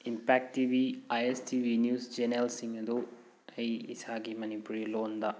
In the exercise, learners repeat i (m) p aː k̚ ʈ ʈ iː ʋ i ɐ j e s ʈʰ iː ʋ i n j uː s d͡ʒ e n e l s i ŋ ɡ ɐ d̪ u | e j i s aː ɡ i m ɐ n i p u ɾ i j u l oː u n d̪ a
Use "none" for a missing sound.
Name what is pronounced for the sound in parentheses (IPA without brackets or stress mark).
m